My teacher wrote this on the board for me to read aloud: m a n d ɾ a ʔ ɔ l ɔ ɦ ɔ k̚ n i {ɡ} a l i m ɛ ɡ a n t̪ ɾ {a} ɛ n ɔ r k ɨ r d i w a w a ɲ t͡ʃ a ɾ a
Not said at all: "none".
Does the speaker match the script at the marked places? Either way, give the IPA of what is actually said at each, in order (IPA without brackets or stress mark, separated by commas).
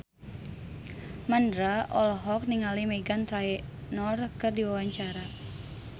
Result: ŋ, a